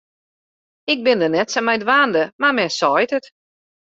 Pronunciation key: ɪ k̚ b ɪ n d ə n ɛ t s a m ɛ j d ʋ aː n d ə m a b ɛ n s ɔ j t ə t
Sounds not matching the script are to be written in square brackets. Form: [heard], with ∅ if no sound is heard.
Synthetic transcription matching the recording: ɪ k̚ b ɪ n d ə n ɛ t s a m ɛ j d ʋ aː n d ə m a [m] ɛ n s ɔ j t ə t

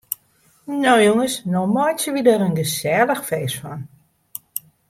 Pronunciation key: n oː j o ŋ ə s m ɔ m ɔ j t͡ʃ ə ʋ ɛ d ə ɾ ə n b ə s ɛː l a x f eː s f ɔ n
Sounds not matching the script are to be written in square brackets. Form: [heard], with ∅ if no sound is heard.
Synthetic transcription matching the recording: n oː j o ŋ ə s [n] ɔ m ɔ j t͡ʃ ə ʋ [i] d ə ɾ ə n [ɡ] ə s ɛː l [ə] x f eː s f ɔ n

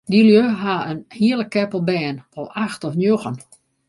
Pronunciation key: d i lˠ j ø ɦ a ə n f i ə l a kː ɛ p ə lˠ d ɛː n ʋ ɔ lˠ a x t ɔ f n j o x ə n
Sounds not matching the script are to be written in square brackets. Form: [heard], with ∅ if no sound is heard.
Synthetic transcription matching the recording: d i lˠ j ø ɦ a ə n [h] i ə l [ə] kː ɛ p ə lˠ [b] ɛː n ʋ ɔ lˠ a x t ɔ f n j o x ə n

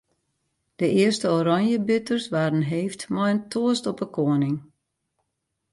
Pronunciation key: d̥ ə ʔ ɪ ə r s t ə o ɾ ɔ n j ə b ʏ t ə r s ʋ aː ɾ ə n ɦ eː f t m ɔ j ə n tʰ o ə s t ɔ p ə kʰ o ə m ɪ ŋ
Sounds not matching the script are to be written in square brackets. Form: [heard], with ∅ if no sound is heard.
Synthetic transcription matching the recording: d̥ ə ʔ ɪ ə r s t ə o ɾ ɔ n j ə b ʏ t ə r s ʋ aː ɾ ə n ɦ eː f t m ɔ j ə n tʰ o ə s t ɔ p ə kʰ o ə [n] ɪ ŋ

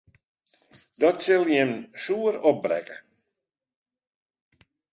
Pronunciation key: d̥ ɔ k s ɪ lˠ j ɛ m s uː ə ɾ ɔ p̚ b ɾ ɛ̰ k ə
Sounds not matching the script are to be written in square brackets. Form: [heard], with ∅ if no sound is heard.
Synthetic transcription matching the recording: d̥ ɔ [t] s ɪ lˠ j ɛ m s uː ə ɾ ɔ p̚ b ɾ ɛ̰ k ə

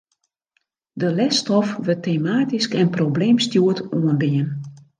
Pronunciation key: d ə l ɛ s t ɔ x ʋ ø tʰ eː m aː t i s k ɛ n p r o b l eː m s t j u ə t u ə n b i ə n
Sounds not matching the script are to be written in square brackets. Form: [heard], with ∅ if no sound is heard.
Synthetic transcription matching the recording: d ə l ɛ s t ɔ [f] ʋ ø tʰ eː m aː t i s k ɛ n p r o b l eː m s t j u ə t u ə n b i ə n

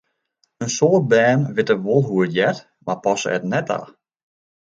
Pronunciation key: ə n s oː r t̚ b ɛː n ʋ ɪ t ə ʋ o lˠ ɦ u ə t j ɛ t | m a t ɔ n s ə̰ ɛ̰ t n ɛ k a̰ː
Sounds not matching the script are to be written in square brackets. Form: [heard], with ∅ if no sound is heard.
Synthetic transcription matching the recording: ə n s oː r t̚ b ɛː n ʋ ɪ t ə ʋ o lˠ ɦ u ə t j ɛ t | m a [p] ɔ [∅] s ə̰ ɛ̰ t n ɛ [t] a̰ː

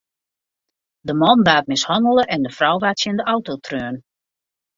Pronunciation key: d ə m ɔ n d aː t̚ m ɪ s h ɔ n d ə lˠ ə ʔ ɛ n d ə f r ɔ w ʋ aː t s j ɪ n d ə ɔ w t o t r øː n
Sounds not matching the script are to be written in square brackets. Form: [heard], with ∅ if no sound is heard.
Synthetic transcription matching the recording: d ə m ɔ n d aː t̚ m ɪ s h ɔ n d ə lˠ ə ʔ ɛ n d ə f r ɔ w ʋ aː t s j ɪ n d ə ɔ w t o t r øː n

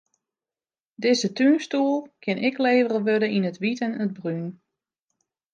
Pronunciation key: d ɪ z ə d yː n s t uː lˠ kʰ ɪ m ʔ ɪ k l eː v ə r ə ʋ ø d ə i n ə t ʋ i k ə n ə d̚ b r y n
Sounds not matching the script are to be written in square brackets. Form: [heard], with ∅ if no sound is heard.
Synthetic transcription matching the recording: d ɪ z ə [t] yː n s t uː lˠ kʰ ɪ [n] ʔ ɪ k l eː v ə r ə ʋ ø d ə i n ə t ʋ i [t] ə n ə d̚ b r y n

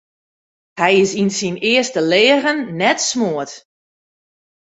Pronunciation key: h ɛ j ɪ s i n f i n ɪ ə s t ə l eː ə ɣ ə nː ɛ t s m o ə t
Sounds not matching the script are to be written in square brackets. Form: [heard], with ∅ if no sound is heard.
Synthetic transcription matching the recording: h ɛ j ɪ s i n [s] i n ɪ ə s t ə l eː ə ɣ ə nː ɛ t s m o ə t

